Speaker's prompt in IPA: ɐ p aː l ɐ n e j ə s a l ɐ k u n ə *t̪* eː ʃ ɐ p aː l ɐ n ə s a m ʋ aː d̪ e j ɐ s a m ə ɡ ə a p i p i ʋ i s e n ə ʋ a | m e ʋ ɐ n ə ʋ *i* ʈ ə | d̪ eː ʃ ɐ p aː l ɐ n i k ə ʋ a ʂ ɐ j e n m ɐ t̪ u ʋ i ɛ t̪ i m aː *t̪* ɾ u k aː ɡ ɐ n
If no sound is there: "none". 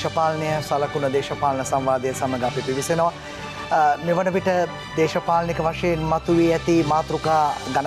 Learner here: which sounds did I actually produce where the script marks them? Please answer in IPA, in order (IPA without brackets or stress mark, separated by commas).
d̪, i, t̪